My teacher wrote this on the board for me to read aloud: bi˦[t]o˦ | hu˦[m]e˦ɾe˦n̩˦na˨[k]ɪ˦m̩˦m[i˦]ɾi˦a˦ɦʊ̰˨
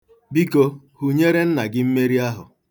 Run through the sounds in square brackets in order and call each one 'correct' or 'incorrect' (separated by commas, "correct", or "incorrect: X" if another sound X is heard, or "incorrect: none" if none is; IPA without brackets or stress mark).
incorrect: k, incorrect: ɲ, incorrect: ɡ, incorrect: e˦